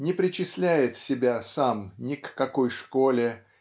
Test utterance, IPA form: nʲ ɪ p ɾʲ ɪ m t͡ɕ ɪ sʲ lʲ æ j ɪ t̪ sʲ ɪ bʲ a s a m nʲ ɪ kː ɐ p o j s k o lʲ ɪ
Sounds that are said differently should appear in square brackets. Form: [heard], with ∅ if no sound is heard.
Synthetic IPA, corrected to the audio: nʲ ɪ p ɾʲ ɪ [∅] t͡ɕ ɪ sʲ lʲ æ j ɪ t̪ sʲ ɪ bʲ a s a m nʲ ɪ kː ɐ [k] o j [ʂ] k o lʲ ɪ